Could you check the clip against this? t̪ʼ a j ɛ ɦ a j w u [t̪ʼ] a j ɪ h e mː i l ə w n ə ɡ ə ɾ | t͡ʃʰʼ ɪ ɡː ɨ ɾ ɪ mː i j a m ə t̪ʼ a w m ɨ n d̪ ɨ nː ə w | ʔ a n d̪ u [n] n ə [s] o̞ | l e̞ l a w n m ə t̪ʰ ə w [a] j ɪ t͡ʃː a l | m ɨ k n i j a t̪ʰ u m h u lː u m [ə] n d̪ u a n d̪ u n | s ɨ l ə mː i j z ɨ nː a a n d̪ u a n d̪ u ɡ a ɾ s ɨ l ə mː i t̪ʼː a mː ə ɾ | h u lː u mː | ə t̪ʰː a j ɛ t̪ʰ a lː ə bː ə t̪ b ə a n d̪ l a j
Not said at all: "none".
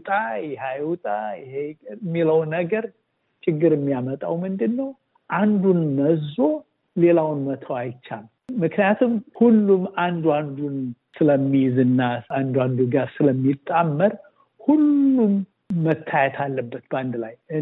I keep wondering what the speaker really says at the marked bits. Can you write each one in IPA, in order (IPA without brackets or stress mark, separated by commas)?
t̪ʼ, n, z, a, a